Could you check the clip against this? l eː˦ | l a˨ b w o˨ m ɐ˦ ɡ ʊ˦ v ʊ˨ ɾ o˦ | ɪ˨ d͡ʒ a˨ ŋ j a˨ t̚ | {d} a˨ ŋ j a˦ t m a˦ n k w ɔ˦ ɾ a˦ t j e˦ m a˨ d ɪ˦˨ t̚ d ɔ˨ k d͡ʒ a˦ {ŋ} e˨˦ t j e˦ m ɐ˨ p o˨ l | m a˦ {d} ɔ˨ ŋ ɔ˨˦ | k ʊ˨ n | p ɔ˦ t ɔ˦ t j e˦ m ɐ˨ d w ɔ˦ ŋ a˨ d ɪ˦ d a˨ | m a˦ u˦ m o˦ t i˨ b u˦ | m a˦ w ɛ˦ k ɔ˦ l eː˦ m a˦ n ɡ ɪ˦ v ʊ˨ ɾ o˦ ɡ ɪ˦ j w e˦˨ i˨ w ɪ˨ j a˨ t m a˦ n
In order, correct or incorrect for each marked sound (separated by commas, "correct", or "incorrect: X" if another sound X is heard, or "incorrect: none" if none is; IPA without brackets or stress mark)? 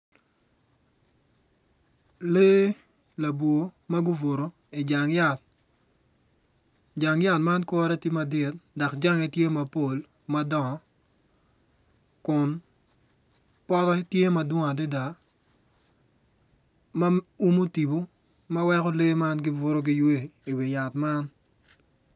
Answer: incorrect: d͡ʒ, correct, correct